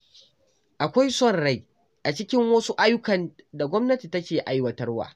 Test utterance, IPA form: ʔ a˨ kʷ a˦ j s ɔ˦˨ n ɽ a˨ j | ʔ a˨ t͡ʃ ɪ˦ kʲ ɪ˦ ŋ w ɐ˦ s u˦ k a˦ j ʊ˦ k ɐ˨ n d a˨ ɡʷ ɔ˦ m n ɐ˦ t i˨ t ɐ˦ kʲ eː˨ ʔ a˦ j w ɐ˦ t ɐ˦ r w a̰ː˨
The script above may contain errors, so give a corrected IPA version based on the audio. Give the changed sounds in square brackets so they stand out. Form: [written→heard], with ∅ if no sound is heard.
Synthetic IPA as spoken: ʔ a˨ kʷ a˦ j s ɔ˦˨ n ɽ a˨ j | ʔ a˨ t͡ʃ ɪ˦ kʲ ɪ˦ ŋ w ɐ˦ s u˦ [k→ʔ] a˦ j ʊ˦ k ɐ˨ n d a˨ ɡʷ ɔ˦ m n ɐ˦ t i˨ t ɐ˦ kʲ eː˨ ʔ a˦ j w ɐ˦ t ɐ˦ r w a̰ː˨